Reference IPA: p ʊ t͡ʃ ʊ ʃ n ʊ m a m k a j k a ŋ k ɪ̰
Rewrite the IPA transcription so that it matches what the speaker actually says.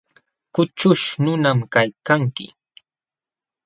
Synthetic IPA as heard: k ʊ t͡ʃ ʊ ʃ n ʊ n a m k a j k a ŋ k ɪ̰